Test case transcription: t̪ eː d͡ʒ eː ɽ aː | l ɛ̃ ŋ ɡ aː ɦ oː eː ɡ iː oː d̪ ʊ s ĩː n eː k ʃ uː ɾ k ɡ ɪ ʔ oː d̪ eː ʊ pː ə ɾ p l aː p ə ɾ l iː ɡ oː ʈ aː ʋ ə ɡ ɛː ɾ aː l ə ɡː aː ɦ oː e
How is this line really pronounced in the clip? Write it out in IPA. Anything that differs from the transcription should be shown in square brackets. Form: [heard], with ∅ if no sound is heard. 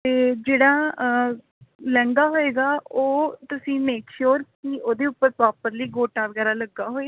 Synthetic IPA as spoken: t̪ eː d͡ʒ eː ɽ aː | l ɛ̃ ŋ ɡ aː ɦ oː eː ɡ [aː] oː [t̪] ʊ s ĩː [m] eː k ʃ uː ɾ k [k] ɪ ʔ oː d̪ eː ʊ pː ə ɾ p [ɾ] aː p ə ɾ l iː ɡ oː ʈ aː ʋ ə ɡ ɛː ɾ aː l ə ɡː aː ɦ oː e